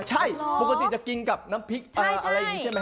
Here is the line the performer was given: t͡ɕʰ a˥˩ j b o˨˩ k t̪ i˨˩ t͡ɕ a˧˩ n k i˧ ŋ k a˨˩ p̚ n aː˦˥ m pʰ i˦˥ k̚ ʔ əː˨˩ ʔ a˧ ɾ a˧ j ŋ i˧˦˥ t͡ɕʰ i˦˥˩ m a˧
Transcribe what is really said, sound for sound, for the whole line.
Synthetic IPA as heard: t͡ɕʰ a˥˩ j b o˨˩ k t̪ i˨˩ t͡ɕ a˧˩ k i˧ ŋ k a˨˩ p̚ n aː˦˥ m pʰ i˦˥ k̚ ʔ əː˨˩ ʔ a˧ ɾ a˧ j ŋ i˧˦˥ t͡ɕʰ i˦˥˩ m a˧